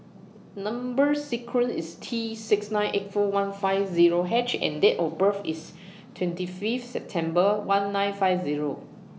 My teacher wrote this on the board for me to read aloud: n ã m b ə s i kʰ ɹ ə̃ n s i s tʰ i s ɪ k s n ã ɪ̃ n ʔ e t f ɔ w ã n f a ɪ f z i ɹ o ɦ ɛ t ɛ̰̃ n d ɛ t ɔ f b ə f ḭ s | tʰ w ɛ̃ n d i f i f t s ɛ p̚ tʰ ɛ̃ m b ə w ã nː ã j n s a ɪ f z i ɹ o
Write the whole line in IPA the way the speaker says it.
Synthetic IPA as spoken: n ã m b ə s i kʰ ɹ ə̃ n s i s tʰ i s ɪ k s n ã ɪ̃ n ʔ e t f ɔ w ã n f a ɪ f z i ɹ o ɦ ɛ t͡ʃ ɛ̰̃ n d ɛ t ɔ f b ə f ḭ s | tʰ w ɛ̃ n t i f i f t s ɛ p̚ tʰ ɛ̃ m b ə w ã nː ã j n f a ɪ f z i ɹ o